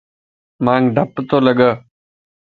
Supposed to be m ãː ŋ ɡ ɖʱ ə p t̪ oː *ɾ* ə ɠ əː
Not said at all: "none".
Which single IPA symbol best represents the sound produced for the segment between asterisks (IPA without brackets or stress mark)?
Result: l